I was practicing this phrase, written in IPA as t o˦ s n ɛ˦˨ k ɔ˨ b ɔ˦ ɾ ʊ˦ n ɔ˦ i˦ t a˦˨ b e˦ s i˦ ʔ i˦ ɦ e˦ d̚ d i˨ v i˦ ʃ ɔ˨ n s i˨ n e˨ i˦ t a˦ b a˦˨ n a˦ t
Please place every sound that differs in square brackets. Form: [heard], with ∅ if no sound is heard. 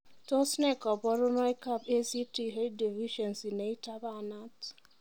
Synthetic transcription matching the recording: t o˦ s n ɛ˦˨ k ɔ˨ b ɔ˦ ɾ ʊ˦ n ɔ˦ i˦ [k] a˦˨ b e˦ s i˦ [t] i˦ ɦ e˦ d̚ d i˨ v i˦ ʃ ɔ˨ n s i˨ n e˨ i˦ t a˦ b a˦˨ n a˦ t